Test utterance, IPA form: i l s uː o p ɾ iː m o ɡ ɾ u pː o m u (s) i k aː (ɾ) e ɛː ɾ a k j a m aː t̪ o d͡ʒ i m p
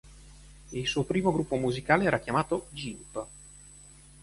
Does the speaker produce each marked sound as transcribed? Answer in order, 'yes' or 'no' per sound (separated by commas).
no, no